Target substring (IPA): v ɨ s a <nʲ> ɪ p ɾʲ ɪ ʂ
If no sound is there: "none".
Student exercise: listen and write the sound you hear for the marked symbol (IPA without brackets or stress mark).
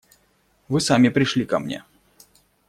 mʲ